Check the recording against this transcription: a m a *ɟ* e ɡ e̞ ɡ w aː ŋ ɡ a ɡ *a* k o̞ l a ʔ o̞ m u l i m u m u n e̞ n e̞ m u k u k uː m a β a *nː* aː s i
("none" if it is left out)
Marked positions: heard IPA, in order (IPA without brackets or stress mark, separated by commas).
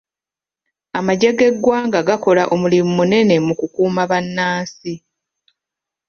ɟ, a, nː